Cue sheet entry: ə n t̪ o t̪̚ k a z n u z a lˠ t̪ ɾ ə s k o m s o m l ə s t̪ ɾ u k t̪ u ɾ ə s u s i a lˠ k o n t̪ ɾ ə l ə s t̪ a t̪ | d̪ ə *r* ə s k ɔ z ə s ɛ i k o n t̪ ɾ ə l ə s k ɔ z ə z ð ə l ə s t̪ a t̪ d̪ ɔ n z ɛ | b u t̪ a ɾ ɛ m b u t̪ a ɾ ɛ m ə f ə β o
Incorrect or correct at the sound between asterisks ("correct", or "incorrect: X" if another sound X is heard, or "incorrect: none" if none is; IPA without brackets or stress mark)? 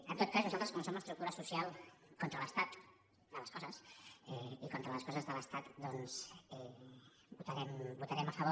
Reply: incorrect: l